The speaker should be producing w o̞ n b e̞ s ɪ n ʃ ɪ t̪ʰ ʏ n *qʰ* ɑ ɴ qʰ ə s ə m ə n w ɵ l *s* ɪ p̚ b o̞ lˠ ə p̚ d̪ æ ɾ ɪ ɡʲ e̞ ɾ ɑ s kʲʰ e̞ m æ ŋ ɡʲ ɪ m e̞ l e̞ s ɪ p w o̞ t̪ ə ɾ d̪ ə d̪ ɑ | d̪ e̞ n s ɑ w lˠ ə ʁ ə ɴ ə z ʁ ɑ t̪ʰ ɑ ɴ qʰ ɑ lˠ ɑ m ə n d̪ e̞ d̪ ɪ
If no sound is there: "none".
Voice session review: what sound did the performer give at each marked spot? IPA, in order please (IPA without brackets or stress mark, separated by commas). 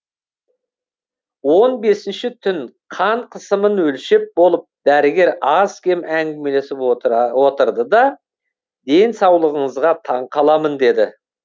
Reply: qʰ, ʃ